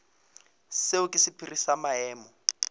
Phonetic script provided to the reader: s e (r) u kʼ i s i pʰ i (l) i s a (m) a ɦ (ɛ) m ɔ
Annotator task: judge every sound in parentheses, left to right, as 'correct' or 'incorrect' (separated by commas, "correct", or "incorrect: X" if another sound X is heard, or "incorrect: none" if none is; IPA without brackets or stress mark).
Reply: incorrect: none, incorrect: r, correct, incorrect: ɛː